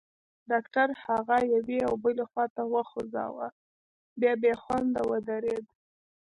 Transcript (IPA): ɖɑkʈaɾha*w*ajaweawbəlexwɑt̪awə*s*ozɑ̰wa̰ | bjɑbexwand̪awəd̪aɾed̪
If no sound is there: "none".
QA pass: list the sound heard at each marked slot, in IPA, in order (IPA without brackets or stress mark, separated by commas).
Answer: ɣ, x